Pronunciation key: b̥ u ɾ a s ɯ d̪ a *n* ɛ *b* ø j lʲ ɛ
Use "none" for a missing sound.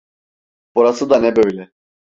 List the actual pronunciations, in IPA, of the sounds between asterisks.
n, b

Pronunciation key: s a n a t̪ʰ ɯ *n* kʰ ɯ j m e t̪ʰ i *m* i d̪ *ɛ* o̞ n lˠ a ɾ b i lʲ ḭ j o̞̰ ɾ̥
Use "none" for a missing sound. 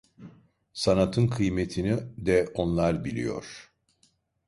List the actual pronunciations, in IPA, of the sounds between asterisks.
n, n, ɛ

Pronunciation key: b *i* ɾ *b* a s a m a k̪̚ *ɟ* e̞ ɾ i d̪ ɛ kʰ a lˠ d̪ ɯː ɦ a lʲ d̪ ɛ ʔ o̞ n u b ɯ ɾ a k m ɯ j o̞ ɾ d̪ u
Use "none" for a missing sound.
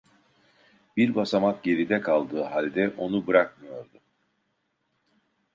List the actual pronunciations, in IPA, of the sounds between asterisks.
i, b, ɟ

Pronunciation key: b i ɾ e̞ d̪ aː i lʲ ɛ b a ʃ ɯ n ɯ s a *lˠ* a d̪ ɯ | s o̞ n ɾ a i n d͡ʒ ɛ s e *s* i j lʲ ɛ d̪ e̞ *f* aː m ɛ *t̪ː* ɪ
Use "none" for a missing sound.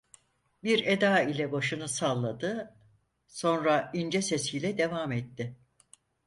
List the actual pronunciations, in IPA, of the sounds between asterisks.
lˠː, s, v, t̪ː

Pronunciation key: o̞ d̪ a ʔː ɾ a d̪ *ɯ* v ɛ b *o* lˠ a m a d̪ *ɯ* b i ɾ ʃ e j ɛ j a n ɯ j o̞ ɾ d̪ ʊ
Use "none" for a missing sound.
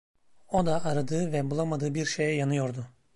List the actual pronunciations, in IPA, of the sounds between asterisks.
ɯː, u, ɯː

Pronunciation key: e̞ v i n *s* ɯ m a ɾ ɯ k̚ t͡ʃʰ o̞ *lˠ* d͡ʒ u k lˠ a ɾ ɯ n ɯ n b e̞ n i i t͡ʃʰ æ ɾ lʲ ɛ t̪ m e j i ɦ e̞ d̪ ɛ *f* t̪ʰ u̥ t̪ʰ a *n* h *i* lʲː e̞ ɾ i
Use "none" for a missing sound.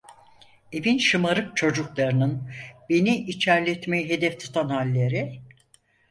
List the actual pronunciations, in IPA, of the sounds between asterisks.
ʃ, none, f, n, a

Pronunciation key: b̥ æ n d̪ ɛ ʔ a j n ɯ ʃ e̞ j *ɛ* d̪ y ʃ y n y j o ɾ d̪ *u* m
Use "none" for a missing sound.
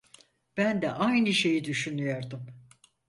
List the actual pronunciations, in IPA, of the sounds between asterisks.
i, ɯ

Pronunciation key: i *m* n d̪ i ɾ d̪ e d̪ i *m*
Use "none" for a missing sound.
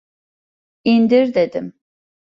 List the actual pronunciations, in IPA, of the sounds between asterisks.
none, m

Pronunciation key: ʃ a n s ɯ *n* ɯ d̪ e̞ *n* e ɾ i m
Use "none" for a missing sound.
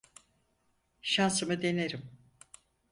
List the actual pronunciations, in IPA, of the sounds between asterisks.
m, n

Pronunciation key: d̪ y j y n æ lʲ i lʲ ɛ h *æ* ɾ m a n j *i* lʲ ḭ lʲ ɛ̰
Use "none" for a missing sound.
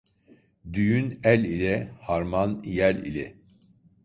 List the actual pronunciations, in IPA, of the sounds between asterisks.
a, æ

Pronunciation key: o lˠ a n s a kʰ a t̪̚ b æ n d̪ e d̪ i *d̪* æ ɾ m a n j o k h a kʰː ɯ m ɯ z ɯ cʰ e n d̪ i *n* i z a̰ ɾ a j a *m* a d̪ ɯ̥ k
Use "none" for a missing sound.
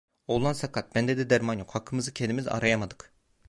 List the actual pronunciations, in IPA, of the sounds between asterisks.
d̪, m, m

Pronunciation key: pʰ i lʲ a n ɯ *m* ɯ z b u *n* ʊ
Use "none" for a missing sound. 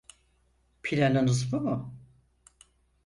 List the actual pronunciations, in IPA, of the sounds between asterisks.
n, m

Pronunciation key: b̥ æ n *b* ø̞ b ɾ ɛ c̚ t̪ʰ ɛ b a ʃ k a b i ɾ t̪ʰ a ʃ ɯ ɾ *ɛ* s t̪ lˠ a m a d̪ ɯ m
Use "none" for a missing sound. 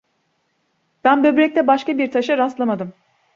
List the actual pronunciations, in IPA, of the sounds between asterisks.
b, a

